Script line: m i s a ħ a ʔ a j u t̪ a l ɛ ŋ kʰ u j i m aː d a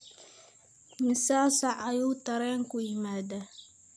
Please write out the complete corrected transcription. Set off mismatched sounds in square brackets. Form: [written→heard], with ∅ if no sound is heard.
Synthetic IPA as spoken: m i s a [ħ→s] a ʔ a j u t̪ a [l→ɾ] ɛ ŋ [kʰ→k] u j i m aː d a